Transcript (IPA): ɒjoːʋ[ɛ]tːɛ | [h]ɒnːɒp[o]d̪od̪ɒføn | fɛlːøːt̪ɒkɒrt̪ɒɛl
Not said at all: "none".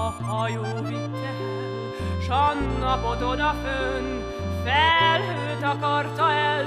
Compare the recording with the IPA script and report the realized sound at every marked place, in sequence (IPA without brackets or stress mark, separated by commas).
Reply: i, ʃ, o